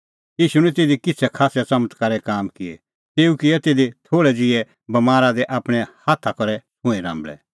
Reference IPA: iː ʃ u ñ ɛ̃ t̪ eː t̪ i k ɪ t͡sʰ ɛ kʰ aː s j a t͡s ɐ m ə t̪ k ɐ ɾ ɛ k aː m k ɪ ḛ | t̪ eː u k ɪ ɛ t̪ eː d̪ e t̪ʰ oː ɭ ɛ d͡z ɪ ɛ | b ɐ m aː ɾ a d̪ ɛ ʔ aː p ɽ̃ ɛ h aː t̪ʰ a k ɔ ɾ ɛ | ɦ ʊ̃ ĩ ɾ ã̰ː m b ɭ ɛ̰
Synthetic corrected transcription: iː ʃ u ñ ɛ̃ t̪ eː d̪ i k ɪ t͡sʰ ɛ kʰ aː s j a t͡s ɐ m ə t̪ k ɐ ɾ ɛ k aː m k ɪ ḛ | t̪ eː u k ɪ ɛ t̪ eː d̪ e t̪ʰ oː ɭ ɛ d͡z ɪ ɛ | b ɐ m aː ɾ a d̪ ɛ ʔ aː p ɽ̃ ɛ h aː t̪ʰ a k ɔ ɾ ɛ | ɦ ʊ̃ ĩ ɾ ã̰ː m b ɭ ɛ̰